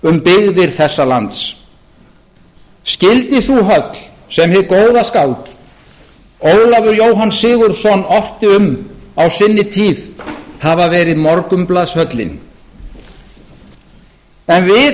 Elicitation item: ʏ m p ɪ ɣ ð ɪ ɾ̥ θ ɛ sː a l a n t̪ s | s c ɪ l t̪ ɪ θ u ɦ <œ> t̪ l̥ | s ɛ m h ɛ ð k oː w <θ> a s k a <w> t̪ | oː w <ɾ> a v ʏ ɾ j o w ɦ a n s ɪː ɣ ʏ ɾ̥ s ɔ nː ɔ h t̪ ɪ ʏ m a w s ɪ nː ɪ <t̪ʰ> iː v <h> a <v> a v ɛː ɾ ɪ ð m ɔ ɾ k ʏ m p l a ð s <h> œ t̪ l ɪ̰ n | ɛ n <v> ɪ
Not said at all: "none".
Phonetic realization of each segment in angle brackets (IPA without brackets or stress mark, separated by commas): œ, ð, w, l, t̪ʰ, h, v, h, v